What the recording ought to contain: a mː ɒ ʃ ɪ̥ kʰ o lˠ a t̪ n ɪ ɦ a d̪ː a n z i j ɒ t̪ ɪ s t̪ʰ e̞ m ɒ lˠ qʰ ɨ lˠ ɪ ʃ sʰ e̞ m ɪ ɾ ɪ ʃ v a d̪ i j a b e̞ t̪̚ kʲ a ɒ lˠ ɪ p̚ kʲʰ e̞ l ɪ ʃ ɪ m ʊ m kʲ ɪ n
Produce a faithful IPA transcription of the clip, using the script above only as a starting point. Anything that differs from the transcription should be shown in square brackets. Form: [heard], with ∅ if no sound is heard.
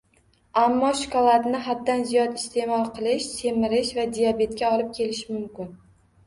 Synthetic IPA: a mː ɒ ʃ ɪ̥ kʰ [ɒ] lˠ a t̪ n ɪ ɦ a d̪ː a n z i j ɒ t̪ ɪ s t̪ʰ e̞ m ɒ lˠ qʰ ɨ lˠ ɪ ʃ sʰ e̞ m ɪ ɾ ɪ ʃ v a d̪ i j a b e̞ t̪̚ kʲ a ɒ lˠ ɪ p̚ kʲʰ e̞ l ɪ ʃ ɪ m ʊ m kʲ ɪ n